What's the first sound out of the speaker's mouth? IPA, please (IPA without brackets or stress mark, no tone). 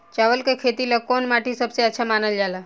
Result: t͡ʃ